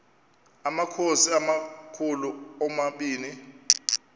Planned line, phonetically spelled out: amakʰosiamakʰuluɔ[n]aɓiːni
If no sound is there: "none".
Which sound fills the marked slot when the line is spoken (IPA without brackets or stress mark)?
m